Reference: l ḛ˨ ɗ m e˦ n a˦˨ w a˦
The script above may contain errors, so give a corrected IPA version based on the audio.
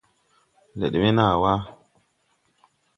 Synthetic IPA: l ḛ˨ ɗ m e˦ n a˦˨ w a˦